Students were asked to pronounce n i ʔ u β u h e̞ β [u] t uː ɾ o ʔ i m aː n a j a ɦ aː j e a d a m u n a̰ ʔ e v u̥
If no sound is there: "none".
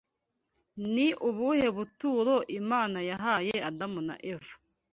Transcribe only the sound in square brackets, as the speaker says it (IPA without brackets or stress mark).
u